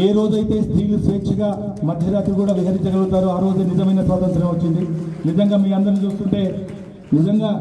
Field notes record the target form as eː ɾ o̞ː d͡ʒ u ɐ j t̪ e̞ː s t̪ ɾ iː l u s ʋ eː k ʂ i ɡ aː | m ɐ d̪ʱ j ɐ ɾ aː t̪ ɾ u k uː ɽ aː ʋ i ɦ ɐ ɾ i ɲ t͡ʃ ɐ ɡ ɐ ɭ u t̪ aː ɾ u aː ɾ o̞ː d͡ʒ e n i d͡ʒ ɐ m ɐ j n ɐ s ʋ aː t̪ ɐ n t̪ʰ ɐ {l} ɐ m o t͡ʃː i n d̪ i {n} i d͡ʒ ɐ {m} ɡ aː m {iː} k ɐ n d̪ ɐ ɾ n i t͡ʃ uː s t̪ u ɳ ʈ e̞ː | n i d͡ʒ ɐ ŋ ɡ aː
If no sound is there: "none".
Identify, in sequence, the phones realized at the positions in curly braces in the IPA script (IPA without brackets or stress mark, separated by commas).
ɾ, n, ŋ, iː